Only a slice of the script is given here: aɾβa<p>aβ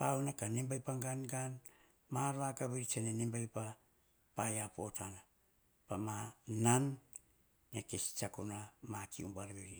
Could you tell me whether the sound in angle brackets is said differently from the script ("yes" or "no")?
yes